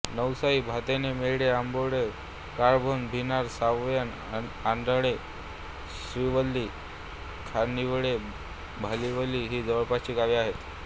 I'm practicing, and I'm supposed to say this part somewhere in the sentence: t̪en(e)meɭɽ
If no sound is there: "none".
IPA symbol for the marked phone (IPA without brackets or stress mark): e